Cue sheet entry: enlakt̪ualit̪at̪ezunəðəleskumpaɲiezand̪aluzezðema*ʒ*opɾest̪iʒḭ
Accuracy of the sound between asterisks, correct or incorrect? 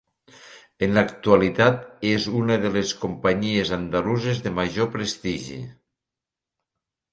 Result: correct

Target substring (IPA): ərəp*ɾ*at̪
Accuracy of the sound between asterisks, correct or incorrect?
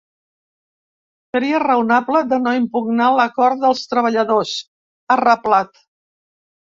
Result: incorrect: l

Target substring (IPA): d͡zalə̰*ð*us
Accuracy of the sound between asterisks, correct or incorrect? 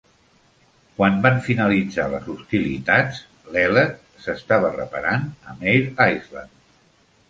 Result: incorrect: z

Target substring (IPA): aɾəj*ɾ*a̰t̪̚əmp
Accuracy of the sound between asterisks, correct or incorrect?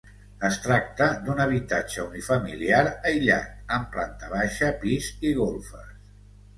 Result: incorrect: ʎ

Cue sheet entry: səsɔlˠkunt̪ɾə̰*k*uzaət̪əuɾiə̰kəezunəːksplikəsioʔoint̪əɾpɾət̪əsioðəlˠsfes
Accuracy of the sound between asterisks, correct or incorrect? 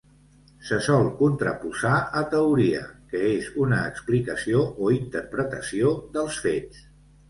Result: incorrect: p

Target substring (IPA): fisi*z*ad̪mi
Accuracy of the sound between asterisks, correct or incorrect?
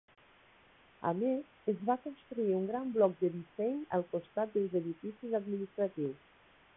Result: correct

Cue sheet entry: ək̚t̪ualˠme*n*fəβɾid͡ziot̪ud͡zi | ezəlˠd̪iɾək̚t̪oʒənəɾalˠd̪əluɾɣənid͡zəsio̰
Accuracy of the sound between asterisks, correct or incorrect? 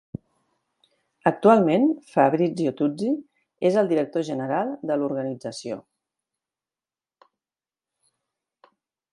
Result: correct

